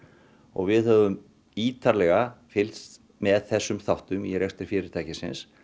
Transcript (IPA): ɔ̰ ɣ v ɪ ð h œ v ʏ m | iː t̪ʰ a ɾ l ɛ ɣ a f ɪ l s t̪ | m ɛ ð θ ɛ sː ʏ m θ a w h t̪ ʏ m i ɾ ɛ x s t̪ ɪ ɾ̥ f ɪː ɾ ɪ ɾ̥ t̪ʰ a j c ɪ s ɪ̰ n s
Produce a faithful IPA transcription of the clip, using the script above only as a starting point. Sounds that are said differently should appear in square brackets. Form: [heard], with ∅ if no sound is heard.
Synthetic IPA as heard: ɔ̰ ɣ v ɪ ð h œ v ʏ m | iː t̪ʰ a ɾ l ɛ ɣ a f ɪ l s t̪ | m ɛ ð θ ɛ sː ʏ m θ a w h t̪ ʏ m i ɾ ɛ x s t̪ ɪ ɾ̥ f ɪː ɾ ɪ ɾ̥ t̪ʰ a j c ɪ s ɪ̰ n s